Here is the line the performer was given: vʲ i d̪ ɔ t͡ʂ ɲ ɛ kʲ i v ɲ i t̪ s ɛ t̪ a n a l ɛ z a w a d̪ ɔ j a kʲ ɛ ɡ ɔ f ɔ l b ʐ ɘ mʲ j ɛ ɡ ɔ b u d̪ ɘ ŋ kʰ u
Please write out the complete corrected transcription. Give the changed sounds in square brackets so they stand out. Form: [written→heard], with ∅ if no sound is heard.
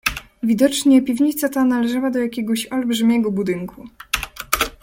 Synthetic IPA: vʲ i d̪ ɔ t͡ʂ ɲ ɛ [kʲ→pʲ] i v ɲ i t̪ s [ɛ→a] t̪ a n a l ɛ [z→ʐ] a w a d̪ ɔ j a kʲ ɛ ɡ ɔ [f→ɕ] ɔ l b ʐ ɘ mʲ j ɛ ɡ ɔ b u d̪ ɘ ŋ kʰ u

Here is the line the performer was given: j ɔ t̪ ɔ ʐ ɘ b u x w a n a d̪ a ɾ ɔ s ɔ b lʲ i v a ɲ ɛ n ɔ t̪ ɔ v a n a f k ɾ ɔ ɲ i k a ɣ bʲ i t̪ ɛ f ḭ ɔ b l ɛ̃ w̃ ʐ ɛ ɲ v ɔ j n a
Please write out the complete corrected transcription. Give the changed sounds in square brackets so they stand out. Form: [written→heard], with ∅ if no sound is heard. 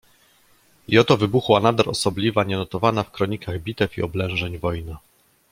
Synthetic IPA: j ɔ t̪ ɔ [ʐ→v] ɘ b u x w a n a d̪ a ɾ ɔ s ɔ b lʲ i v a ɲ ɛ n ɔ t̪ ɔ v a n a f k ɾ ɔ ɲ i k a ɣ bʲ i t̪ ɛ f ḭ ɔ b l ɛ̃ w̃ ʐ ɛ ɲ v ɔ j n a

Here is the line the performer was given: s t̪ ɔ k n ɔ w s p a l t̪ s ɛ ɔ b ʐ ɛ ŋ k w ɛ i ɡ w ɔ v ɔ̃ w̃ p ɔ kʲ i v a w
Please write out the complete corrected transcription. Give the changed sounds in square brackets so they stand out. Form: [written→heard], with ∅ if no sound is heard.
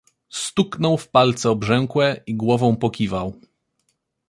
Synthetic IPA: s t̪ [ɔ→u] k n ɔ w [s→f] p a l t̪ s ɛ ɔ b ʐ ɛ ŋ k w ɛ i ɡ w ɔ v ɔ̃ w̃ p ɔ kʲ i v a w

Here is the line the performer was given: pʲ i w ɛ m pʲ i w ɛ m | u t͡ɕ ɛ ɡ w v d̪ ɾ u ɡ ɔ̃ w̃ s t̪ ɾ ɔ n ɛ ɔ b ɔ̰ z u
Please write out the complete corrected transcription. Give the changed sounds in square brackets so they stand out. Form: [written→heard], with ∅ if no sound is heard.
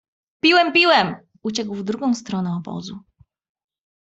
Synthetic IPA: pʲ i w ɛ m pʲ i w ɛ m | u t͡ɕ ɛ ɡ w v d̪ ɾ u ɡ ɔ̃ w̃ s t̪ ɾ ɔ n ɛ ɔ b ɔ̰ z u

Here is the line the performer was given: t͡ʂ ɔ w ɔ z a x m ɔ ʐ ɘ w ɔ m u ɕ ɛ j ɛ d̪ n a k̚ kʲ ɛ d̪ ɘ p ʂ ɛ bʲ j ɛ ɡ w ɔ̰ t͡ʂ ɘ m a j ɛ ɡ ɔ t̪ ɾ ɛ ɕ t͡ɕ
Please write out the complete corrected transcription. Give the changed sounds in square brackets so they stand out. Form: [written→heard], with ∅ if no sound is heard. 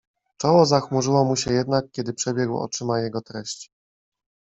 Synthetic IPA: t͡ʂ ɔ w ɔ z a x m [ɔ→u] ʐ ɘ w ɔ m u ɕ ɛ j ɛ d̪ n a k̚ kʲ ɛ d̪ ɘ p ʂ ɛ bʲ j ɛ ɡ w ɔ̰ t͡ʂ ɘ m a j ɛ ɡ ɔ t̪ ɾ ɛ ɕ t͡ɕ

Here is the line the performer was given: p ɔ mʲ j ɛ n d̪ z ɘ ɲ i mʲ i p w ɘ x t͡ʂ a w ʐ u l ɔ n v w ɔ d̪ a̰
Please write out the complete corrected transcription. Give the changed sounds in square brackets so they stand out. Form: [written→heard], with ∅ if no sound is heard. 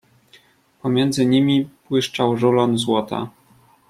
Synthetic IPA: p ɔ mʲ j ɛ n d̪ z ɘ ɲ i mʲ i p w ɘ [x→ʂ] t͡ʂ a w ʐ u l ɔ n [v→z] w ɔ [d̪→t̪] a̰

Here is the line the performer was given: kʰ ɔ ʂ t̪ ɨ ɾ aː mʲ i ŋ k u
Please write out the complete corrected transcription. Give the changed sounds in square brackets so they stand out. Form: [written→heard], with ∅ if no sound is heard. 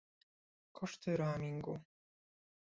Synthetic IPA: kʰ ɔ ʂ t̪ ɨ ɾ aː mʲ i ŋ [k→ɡ] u

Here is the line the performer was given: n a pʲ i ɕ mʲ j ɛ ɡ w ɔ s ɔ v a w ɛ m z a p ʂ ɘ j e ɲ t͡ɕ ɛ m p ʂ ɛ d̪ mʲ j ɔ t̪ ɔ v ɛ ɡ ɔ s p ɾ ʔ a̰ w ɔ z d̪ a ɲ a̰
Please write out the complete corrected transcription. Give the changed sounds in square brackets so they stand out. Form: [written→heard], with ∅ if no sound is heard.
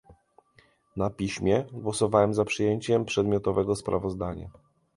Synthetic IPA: n a pʲ i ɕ mʲ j ɛ ɡ w ɔ s ɔ v a w ɛ m z a p ʂ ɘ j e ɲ t͡ɕ ɛ m p ʂ ɛ d̪ mʲ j ɔ t̪ ɔ v ɛ ɡ ɔ s p ɾ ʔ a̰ [w→v] ɔ z d̪ a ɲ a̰

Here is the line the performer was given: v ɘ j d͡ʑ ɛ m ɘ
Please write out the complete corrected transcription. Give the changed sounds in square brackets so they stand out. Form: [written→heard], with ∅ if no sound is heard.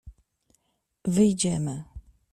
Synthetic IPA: v ɘ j d͡ʑ ɛ m ɘ

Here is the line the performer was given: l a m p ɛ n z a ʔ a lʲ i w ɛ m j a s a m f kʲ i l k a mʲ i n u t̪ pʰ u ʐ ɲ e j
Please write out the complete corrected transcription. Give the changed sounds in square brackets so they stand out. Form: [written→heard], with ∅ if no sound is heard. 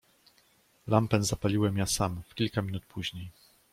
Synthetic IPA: l a m p ɛ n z a [ʔ→p] a lʲ i w ɛ m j a s a m f kʲ i l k a mʲ i n u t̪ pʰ u [ʐ→ʑ] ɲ e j

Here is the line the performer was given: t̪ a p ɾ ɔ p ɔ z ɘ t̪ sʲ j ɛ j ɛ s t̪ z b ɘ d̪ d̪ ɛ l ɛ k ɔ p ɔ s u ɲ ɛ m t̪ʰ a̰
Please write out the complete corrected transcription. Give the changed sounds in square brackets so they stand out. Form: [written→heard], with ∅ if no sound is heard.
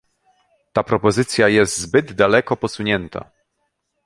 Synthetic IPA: t̪ a p ɾ ɔ p ɔ z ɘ t̪ sʲ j [ɛ→a] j ɛ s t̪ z b ɘ d̪ d̪ [ɛ→a] l ɛ k ɔ p ɔ s u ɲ ɛ [m→n] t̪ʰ a̰

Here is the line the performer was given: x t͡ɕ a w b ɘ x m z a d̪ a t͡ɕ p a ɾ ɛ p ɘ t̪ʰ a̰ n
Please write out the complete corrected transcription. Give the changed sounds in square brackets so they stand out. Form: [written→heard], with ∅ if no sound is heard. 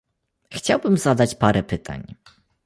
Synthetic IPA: x t͡ɕ a w b ɘ [x→∅] m z a d̪ a t͡ɕ p a ɾ ɛ p ɘ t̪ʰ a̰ [n→ɲ]

